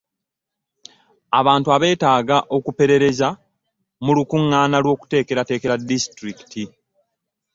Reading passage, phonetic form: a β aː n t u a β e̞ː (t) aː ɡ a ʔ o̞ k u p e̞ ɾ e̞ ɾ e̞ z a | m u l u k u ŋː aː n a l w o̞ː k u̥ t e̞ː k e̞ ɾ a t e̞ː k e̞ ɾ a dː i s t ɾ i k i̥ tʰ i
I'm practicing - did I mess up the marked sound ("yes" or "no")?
no